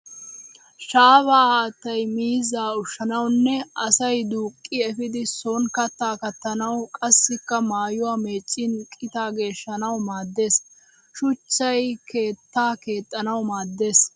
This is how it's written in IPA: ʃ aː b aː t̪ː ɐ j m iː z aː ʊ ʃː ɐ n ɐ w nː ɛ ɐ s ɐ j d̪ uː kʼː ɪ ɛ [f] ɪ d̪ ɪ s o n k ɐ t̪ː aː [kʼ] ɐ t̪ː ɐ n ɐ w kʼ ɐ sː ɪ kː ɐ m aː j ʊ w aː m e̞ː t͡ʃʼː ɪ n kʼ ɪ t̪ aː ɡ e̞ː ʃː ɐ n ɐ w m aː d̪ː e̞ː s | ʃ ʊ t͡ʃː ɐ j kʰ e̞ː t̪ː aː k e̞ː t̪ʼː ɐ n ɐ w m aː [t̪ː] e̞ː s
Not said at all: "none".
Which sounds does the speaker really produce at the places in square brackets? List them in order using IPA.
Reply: f, k, d̪ː

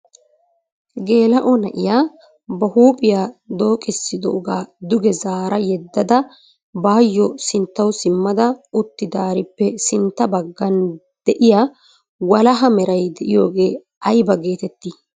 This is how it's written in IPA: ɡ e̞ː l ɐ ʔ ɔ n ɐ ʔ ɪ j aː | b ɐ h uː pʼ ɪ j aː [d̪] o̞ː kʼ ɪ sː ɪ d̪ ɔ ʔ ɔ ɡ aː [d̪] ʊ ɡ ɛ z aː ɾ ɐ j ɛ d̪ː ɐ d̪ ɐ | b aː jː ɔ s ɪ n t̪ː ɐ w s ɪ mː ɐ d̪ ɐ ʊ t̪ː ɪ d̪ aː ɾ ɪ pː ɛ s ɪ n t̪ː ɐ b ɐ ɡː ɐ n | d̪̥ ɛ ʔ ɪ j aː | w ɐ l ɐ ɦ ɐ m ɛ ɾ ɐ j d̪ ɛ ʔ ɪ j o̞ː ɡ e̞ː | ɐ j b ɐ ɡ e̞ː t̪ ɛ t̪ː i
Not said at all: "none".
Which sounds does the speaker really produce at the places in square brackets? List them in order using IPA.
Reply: d̪, d̪

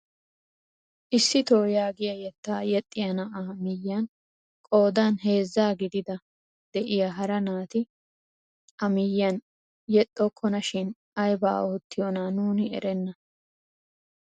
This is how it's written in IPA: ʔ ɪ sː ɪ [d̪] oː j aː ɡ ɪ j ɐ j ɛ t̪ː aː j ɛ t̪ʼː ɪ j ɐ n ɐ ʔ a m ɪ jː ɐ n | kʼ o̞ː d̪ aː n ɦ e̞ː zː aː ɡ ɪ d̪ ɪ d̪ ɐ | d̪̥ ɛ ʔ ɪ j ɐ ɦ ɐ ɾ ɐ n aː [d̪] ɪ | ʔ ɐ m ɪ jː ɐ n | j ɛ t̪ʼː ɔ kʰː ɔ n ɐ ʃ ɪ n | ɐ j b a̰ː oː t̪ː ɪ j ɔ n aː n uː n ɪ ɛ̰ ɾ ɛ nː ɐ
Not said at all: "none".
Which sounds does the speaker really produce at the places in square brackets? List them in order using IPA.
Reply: t̪, t̪

